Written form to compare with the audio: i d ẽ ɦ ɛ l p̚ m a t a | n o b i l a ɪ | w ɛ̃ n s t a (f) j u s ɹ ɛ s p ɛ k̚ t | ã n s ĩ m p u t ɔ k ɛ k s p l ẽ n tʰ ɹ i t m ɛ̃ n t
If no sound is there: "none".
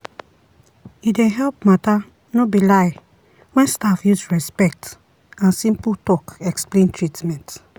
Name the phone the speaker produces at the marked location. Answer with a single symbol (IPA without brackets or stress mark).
f